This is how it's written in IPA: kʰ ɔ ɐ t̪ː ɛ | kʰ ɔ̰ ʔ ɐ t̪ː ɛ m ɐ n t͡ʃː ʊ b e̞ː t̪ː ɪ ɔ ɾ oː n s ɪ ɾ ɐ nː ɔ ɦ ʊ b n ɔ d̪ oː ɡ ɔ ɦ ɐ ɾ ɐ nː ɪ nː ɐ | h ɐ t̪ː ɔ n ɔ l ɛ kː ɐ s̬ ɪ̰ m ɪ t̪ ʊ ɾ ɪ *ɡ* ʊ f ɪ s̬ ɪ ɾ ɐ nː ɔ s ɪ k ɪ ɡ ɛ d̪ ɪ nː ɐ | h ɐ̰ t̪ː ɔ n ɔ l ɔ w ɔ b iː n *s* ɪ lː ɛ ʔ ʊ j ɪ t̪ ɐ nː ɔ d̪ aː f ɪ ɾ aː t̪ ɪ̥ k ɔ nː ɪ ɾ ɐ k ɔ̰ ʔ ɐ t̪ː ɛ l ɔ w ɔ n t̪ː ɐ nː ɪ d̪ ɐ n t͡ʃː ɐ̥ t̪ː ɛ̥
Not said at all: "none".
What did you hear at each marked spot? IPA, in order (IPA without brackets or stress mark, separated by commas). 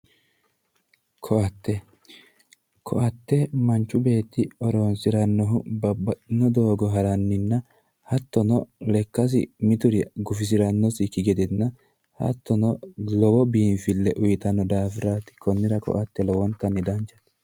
ɡ, f